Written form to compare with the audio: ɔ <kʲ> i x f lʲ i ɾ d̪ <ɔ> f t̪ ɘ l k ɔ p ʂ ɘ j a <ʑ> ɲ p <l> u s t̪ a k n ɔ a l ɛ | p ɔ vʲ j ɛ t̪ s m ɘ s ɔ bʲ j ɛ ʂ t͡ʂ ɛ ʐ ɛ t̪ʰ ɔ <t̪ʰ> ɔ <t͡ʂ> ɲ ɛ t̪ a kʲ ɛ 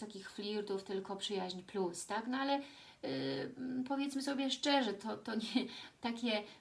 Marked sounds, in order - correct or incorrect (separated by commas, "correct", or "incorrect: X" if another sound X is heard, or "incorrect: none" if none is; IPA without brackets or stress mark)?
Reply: correct, incorrect: u, correct, correct, incorrect: t̪, incorrect: none